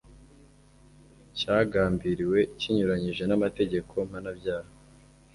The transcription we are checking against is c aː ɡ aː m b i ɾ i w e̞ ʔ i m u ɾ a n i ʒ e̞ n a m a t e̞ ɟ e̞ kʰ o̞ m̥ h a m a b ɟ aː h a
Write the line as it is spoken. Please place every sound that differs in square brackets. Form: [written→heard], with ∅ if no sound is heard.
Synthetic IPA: c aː ɡ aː m b i ɾ i w e̞ [ʔ→c] i [m→ɲ] u ɾ a [n→ɲ] i ʒ e̞ n a m a t e̞ ɟ e̞ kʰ o̞ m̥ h a [m→n] a b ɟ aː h a